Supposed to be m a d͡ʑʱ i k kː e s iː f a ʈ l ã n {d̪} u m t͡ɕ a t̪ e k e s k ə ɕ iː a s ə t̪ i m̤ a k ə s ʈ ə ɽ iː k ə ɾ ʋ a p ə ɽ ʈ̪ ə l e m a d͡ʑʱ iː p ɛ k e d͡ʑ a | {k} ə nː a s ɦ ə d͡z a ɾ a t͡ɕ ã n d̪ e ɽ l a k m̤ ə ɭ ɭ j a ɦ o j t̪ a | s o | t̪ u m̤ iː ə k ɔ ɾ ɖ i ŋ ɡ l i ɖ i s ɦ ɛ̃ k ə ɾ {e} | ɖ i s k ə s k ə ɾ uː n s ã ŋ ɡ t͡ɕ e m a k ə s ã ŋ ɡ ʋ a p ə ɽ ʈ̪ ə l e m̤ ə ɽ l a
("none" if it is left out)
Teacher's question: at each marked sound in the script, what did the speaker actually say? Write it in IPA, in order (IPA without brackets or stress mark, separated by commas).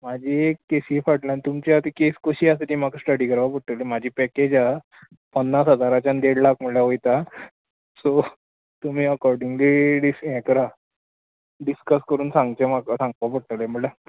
t̪, p, a